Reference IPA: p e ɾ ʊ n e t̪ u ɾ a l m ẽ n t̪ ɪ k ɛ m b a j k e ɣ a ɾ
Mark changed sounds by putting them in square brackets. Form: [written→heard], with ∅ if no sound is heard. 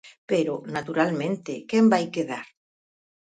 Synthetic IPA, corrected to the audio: p e ɾ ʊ n [e→a] t̪ u ɾ a l m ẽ n t̪ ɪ k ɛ m b a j k e [ɣ→ð] a ɾ